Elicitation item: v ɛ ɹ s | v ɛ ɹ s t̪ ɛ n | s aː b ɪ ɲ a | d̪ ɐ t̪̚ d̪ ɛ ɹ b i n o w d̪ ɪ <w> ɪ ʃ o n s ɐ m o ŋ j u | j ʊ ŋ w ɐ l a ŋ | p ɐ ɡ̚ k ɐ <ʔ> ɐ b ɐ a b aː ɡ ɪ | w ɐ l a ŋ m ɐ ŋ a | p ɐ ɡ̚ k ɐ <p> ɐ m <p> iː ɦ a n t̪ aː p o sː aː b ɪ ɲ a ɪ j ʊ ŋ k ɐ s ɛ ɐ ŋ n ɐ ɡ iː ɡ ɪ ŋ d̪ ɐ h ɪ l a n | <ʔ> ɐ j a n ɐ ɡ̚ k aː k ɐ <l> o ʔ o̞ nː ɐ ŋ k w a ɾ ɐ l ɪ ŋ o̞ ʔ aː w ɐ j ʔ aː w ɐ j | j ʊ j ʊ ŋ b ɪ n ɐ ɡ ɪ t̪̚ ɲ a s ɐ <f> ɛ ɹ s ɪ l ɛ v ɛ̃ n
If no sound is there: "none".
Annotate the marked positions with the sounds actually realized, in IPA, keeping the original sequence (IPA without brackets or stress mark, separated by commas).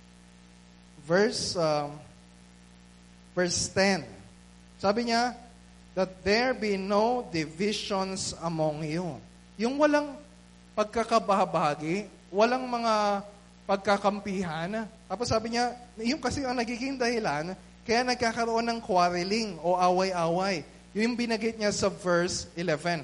v, k, k, p, k, ɾ, v